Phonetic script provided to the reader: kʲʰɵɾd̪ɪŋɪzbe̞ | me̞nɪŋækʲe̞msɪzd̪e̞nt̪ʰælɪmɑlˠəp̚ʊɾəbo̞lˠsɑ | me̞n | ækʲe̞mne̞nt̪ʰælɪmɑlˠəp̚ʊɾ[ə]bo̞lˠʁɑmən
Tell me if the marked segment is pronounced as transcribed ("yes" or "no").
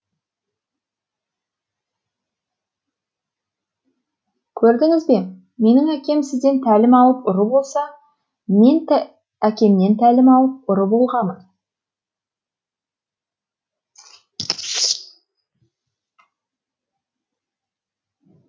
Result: yes